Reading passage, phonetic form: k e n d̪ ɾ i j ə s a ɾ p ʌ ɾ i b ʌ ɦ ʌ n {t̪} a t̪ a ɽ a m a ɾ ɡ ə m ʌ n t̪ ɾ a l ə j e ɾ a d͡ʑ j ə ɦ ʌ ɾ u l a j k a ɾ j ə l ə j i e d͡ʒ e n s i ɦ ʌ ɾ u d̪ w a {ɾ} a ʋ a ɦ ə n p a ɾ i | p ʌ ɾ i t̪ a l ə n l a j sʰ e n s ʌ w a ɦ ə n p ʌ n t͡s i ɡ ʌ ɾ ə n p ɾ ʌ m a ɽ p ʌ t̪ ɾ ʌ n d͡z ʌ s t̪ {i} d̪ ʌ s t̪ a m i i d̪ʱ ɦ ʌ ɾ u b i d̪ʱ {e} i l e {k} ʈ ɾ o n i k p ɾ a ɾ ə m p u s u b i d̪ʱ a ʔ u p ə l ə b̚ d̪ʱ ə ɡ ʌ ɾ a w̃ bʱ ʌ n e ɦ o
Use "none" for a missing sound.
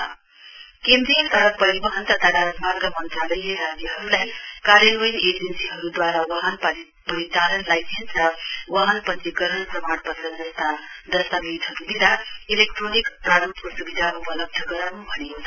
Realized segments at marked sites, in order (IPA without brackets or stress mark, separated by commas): t̪, ɾ, a, a, k